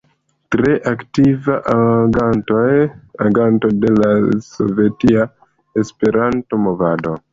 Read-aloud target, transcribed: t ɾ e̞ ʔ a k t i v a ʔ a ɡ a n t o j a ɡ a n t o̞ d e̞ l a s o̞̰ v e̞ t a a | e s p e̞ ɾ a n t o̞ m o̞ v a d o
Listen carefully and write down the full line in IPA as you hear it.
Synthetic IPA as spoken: t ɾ e̞ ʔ a k t i v a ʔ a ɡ a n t o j a ɡ a n t o̞ d e̞ l a s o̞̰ v e̞ t i a | e s p e̞ ɾ a n t o̞ m o̞ v a d o